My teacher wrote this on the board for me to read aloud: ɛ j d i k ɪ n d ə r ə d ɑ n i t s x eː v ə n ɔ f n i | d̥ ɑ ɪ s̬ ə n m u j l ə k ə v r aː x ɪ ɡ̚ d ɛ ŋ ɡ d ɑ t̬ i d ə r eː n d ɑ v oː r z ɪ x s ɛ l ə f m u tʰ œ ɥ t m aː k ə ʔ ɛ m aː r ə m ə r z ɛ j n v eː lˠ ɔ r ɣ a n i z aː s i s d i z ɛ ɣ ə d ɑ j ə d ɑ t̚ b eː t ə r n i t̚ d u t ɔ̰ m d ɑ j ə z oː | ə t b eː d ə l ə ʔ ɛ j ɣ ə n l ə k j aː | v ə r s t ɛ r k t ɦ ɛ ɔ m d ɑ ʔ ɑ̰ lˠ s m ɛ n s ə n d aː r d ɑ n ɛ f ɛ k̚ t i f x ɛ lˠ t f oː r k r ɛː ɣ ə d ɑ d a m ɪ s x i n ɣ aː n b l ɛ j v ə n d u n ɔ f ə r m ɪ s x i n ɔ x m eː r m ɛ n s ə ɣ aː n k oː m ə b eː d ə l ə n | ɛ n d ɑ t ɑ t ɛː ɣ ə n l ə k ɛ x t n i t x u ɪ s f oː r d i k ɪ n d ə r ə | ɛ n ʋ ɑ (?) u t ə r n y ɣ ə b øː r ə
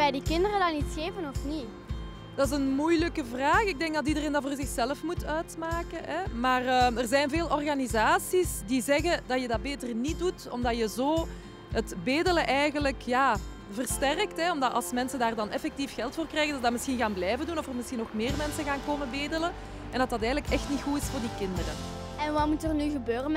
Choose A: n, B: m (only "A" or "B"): B